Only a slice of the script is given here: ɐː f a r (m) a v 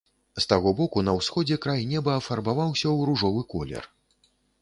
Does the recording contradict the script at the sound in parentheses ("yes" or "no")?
yes